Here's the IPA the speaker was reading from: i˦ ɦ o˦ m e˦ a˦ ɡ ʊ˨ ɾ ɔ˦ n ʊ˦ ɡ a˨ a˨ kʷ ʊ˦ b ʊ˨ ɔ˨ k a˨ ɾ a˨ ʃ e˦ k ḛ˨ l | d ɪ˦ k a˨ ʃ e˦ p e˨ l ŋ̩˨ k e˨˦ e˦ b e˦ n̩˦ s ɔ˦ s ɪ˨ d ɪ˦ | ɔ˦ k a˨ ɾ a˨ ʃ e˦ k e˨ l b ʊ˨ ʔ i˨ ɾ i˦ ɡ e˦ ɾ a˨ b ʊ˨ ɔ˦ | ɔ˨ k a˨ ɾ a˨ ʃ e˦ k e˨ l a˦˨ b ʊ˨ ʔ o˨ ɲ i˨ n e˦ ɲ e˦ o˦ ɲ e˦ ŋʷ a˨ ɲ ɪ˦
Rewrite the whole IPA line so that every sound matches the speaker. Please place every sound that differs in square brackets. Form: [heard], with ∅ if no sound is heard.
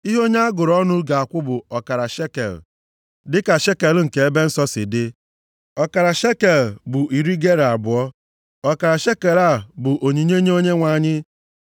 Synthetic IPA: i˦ ɦ o˦ [ɲ] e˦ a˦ ɡ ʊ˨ ɾ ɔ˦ n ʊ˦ ɡ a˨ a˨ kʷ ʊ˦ b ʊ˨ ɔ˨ k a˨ ɾ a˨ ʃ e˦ k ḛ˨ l | d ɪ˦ k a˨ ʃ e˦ [k] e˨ l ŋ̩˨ k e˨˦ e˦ b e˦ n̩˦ s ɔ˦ s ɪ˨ d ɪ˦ | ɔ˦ k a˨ ɾ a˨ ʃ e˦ k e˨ l b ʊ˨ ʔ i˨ ɾ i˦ ɡ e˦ ɾ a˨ b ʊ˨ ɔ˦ | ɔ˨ k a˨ ɾ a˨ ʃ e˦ k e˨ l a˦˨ b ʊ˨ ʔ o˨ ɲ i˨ [ɲ] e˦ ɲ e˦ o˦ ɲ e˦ ŋʷ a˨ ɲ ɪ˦